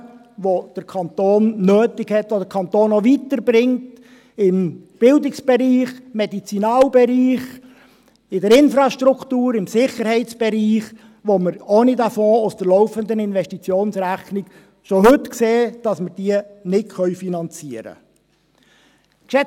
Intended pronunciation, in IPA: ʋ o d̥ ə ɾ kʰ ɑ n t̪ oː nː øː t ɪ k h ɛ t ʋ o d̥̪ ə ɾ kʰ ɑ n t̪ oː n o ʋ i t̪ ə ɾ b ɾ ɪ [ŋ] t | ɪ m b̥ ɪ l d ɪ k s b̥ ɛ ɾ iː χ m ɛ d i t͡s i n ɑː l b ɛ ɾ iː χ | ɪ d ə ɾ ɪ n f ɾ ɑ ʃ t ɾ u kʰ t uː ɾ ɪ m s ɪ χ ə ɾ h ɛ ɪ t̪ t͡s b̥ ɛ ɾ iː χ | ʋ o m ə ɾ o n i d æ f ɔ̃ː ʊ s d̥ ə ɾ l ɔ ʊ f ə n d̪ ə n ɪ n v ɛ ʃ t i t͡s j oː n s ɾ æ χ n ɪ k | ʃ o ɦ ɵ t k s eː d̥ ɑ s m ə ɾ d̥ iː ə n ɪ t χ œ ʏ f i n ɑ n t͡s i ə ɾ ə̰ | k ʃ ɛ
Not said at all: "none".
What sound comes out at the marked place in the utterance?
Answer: ŋ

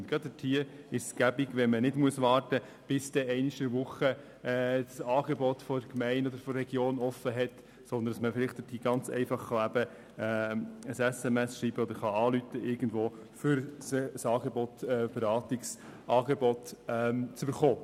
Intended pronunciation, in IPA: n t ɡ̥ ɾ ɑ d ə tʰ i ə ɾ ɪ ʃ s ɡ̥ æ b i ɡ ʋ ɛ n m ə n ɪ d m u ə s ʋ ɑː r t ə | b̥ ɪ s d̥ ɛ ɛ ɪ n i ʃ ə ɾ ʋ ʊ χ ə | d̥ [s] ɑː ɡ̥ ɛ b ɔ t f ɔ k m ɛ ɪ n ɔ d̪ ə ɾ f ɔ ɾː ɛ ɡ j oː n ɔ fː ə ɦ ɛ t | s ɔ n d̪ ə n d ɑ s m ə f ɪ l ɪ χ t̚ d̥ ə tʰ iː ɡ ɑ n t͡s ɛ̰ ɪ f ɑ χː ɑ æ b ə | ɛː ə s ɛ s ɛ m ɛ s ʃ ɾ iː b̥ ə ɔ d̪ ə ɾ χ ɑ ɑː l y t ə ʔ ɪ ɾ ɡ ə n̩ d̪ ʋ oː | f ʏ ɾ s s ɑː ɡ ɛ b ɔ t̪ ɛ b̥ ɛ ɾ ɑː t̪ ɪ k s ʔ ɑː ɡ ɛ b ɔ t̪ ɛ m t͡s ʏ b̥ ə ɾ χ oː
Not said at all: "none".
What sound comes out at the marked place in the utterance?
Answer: s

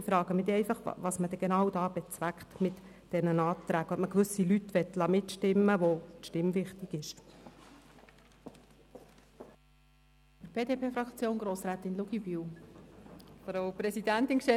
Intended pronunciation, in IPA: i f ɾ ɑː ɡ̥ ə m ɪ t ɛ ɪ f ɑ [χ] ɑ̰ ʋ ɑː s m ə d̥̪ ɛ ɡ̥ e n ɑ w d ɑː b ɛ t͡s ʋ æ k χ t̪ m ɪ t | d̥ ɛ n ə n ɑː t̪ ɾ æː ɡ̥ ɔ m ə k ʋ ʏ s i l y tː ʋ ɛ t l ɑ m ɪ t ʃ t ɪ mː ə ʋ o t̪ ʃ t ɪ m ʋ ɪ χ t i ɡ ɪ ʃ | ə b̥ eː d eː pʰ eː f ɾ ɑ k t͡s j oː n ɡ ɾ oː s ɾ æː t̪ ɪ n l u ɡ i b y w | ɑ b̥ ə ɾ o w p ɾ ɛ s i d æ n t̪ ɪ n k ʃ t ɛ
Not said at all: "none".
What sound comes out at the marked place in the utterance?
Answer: χ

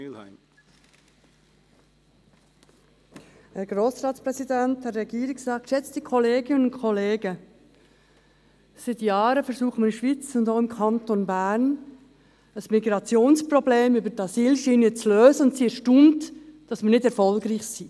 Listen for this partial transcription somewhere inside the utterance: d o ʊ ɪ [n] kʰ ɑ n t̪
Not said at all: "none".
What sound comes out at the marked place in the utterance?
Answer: m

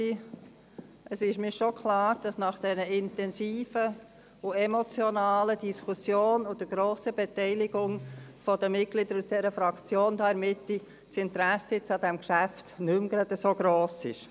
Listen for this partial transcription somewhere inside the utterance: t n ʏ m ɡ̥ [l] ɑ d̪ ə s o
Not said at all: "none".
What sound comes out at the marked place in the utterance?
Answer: ɾ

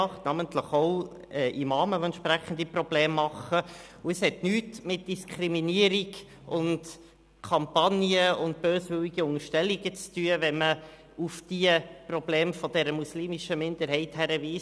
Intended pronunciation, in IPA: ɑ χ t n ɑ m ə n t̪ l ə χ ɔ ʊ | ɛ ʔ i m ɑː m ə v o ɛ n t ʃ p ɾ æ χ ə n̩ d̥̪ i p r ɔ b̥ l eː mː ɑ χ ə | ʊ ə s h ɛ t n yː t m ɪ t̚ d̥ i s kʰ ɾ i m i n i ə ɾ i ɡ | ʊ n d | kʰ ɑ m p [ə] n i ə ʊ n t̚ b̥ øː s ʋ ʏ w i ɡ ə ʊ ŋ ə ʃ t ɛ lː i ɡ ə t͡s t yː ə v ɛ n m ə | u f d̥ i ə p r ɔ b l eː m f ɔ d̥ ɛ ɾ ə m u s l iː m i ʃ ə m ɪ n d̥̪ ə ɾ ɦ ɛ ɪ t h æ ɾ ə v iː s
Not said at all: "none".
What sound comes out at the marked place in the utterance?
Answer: ɑ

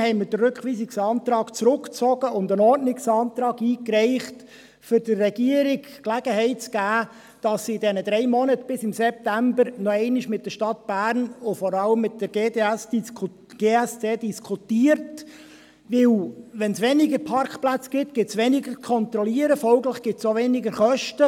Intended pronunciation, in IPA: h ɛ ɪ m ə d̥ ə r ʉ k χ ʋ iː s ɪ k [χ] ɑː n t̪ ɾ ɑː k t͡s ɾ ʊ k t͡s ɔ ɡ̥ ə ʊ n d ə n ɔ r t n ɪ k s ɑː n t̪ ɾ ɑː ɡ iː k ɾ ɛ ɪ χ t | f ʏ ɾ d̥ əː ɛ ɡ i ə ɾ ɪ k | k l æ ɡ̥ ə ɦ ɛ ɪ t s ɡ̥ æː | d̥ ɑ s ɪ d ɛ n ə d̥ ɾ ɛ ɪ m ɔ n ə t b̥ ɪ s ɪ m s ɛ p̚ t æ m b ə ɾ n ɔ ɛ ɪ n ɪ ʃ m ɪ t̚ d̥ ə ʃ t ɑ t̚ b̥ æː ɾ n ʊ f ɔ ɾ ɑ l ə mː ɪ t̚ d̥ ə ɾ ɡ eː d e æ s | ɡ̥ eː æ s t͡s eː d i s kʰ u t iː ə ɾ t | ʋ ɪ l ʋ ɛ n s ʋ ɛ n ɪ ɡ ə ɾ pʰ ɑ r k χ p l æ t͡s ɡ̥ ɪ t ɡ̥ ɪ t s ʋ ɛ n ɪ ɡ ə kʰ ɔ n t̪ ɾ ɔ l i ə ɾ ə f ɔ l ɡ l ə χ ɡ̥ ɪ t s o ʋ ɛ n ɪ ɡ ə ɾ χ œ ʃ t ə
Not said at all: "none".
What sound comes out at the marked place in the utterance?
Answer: s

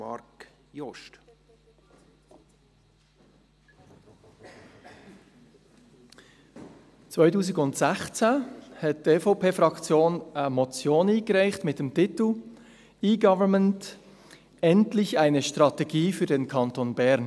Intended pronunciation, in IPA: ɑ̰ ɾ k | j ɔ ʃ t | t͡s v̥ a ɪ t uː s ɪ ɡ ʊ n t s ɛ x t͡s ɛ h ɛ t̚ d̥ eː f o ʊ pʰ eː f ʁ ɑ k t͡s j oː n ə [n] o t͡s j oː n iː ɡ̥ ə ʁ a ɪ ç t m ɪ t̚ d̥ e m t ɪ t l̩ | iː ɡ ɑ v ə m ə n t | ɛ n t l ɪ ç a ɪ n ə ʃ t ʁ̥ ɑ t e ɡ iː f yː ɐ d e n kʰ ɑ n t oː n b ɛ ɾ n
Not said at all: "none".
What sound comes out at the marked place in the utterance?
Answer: m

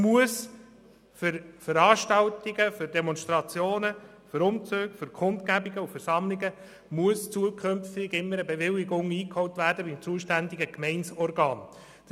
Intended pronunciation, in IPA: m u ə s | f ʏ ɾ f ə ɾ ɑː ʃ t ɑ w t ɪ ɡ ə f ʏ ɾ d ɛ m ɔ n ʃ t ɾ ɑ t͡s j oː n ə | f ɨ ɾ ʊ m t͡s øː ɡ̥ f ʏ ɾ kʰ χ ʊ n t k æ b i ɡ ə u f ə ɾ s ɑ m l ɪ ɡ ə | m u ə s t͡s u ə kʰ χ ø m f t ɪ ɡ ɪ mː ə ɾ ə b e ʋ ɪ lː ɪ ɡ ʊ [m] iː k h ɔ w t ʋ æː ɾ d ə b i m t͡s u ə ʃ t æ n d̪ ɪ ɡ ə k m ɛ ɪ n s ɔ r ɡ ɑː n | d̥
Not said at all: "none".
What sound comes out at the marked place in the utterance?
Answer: ŋ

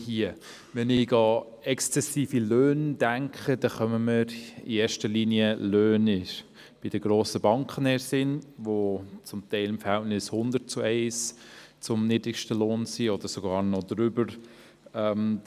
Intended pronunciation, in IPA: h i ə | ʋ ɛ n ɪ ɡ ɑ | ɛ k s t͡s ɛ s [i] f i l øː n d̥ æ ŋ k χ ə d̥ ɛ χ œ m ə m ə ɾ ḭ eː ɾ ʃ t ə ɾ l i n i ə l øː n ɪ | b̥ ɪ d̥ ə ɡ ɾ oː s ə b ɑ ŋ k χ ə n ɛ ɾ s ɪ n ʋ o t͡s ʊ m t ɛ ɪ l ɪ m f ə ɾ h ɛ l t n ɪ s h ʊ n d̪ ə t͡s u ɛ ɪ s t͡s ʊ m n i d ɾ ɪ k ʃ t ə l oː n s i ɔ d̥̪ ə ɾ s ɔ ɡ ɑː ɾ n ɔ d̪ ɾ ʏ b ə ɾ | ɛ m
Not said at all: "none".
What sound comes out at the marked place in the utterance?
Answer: iː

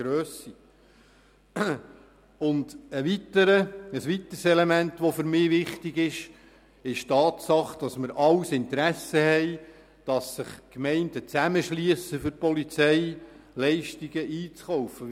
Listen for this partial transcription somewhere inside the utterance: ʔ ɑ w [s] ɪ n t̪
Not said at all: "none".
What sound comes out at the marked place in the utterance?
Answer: s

